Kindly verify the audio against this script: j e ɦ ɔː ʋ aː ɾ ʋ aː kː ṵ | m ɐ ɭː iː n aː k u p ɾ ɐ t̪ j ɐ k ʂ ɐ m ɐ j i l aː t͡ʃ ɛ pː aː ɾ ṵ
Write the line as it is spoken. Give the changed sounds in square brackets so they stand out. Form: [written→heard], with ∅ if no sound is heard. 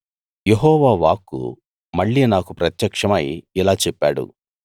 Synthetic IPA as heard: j e ɦ ɔː ʋ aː [ɾ→∅] ʋ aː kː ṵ | m ɐ ɭː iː n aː k u p ɾ ɐ t̪ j ɐ k ʂ ɐ m ɐ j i l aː t͡ʃ ɛ pː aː [ɾ→ɽ] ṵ